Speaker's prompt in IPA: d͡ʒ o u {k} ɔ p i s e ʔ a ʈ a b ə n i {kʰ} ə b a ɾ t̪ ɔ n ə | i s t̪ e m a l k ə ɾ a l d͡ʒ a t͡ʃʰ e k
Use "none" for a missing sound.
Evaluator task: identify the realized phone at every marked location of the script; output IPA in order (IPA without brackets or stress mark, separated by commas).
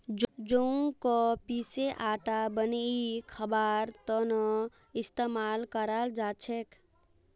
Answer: k, kʰ